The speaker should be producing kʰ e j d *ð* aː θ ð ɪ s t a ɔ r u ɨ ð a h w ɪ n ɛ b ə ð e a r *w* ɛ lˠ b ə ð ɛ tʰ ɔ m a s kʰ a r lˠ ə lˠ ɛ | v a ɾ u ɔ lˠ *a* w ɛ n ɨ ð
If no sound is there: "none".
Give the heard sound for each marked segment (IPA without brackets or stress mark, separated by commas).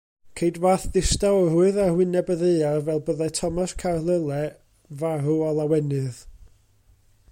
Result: v, v, a